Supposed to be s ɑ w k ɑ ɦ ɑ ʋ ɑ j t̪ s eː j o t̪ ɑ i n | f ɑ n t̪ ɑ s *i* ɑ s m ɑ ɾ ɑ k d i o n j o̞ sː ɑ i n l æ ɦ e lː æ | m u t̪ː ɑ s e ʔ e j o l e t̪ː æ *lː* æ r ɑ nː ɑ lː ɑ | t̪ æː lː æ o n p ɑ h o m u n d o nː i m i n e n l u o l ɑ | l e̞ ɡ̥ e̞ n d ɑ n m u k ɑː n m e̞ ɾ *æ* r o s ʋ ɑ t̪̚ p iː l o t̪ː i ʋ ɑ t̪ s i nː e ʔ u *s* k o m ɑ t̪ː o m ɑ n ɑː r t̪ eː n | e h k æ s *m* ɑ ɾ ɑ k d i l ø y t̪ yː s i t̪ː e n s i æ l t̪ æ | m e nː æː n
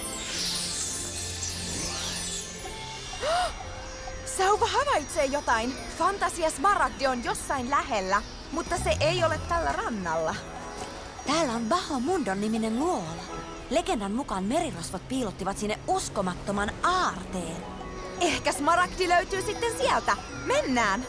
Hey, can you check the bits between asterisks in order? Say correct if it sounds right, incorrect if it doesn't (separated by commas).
correct, correct, incorrect, correct, correct